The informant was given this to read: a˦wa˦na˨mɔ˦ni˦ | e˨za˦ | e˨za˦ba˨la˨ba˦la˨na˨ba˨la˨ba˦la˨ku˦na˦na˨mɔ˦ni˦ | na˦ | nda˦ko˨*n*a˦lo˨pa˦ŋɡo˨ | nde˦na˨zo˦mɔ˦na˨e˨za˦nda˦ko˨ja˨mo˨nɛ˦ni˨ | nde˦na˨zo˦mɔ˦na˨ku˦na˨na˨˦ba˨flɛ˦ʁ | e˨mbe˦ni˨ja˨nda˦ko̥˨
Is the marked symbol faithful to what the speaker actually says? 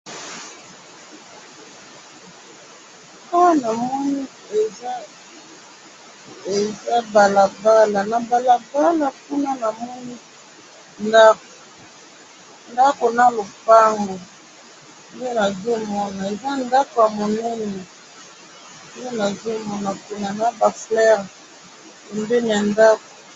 yes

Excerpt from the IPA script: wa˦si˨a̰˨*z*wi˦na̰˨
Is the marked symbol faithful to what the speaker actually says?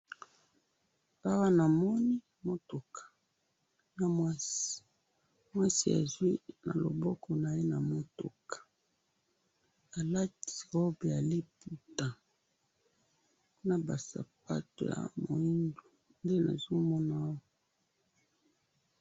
yes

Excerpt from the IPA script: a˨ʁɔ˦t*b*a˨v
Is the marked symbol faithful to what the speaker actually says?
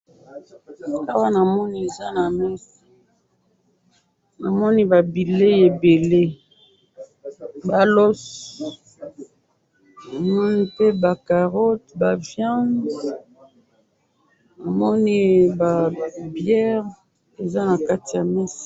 yes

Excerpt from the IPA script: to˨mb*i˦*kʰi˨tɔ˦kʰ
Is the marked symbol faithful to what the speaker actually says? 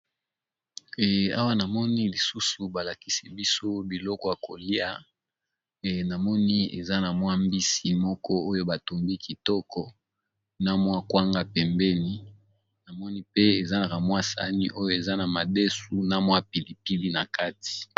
yes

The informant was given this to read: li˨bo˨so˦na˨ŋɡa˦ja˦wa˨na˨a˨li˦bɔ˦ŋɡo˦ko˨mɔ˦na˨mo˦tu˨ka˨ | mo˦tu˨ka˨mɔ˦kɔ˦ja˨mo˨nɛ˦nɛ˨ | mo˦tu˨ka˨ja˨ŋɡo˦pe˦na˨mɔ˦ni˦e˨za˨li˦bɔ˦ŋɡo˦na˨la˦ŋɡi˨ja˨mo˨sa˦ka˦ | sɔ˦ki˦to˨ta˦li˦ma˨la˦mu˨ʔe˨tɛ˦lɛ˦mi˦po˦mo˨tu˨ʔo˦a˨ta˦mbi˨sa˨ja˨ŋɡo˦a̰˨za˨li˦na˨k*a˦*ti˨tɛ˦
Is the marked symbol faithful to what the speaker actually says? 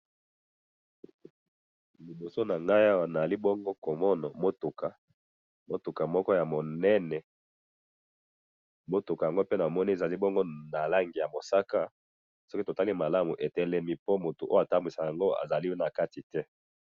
yes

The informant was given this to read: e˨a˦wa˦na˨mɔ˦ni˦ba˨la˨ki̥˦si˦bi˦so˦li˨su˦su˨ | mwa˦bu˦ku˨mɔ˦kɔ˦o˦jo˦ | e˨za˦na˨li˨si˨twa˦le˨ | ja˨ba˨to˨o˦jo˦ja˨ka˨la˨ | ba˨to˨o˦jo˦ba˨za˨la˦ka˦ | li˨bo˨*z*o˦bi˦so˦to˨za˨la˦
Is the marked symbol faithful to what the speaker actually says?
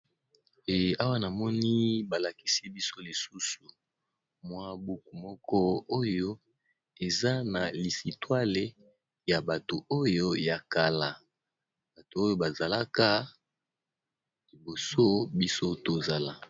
no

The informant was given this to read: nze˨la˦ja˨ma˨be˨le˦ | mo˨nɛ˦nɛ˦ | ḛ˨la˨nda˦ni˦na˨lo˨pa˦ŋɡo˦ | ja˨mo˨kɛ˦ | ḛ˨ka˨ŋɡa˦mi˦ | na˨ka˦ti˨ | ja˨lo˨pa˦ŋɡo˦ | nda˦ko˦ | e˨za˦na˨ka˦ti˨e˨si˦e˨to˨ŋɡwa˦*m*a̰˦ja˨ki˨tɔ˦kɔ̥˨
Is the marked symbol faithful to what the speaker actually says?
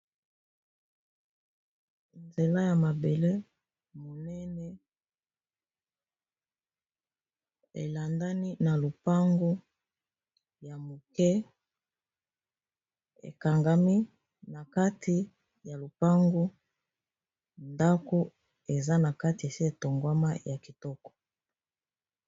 yes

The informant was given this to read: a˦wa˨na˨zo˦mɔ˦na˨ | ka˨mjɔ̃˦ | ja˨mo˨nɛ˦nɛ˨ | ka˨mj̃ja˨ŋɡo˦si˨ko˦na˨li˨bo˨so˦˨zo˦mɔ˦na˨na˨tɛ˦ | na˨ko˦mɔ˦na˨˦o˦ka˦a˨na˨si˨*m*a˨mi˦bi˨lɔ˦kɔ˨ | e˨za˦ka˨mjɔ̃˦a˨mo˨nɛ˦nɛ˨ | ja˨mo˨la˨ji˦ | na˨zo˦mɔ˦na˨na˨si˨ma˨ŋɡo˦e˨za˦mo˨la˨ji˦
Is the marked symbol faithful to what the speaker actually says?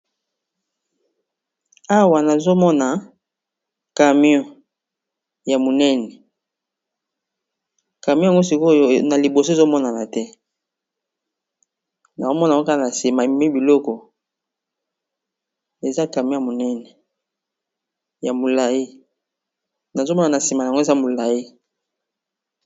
yes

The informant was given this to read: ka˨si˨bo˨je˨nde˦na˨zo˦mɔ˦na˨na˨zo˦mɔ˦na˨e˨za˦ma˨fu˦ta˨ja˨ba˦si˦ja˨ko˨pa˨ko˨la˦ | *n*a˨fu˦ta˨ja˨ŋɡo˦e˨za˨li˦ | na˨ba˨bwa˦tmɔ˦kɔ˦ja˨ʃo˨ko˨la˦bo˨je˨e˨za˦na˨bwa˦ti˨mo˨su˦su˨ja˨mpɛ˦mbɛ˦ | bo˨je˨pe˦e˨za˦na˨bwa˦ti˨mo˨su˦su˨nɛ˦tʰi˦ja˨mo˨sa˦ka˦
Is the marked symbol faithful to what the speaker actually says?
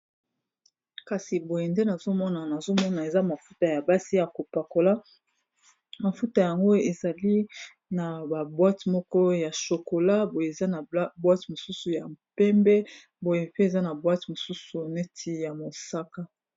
no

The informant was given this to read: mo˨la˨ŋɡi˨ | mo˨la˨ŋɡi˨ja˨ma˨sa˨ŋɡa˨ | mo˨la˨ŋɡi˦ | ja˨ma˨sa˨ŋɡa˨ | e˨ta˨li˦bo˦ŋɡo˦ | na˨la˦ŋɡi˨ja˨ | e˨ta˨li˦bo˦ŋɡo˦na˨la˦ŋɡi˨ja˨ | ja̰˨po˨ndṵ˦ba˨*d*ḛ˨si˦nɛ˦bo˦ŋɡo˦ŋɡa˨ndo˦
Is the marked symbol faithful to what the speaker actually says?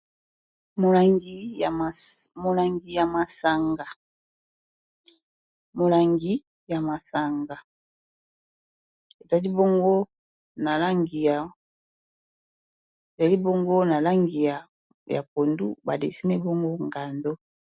yes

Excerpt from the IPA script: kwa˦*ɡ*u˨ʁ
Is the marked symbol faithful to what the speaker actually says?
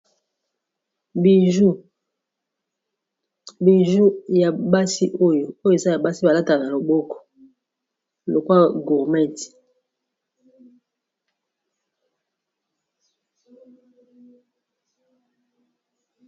yes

